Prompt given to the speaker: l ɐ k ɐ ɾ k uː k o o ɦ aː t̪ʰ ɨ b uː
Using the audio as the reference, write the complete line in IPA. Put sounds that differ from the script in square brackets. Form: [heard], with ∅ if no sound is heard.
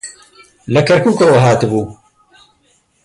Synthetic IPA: l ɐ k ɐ ɾ k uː k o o ɦ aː [t̪] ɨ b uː

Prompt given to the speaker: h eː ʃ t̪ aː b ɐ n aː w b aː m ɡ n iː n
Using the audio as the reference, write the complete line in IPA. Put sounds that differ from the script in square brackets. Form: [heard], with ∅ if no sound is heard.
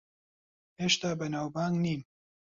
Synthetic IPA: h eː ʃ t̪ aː b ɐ n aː w b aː [ŋ] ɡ n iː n

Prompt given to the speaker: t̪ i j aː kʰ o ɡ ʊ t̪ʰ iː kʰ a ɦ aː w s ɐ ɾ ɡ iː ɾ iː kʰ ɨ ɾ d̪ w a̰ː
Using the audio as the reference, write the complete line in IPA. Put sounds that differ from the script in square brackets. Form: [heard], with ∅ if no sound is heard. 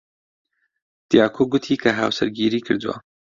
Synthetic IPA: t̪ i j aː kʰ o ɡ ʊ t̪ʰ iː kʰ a ɦ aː w s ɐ ɾ ɡ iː ɾ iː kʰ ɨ ɾ d̪ w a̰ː

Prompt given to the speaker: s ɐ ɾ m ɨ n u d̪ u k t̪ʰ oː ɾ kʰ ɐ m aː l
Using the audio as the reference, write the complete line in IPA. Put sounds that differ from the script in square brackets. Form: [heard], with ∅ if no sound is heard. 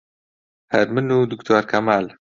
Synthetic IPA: [h] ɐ ɾ m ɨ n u d̪ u k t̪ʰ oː ɾ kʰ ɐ m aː l

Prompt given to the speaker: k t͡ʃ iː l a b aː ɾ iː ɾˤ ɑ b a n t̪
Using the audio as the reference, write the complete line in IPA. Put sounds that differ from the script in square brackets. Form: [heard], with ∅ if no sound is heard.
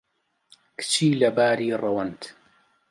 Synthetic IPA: k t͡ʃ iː l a b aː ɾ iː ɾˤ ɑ [w] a n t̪

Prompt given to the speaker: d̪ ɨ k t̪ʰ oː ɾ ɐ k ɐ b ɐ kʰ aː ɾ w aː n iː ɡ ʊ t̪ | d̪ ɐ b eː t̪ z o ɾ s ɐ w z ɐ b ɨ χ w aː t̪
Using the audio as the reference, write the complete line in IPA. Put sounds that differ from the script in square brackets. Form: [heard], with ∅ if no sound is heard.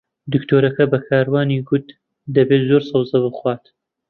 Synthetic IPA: d̪ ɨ k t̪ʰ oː ɾ ɐ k ɐ b ɐ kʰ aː ɾ w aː n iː ɡ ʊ t̪ | d̪ ɐ b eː t̪ z o ɾ s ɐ w z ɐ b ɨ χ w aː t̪

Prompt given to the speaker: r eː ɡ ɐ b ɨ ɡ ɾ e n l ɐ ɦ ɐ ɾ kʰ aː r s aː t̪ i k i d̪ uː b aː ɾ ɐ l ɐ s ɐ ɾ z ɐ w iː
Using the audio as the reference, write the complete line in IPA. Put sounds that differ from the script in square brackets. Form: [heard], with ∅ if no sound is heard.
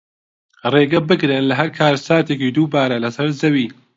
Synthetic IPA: r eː ɡ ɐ b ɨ ɡ ɾ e n l ɐ ɦ ɐ ɾ kʰ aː [ɾ] s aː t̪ [e] k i d̪ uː b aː ɾ ɐ l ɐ s ɐ ɾ z ɐ w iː

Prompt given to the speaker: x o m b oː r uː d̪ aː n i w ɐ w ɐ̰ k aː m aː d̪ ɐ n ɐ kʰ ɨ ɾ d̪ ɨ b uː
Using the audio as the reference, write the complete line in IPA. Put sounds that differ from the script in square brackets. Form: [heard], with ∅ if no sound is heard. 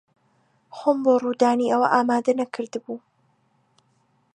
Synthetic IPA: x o m b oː r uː d̪ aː n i [∅] ɐ w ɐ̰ [ʔ] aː m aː d̪ ɐ n ɐ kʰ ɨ ɾ d̪ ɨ b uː

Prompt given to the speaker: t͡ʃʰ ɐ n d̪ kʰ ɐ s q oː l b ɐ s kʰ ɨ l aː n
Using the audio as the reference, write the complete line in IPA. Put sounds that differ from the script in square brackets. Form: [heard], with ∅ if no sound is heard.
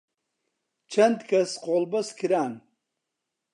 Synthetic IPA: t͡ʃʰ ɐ n d̪ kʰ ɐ s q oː l b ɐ s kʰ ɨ [ɾ] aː n

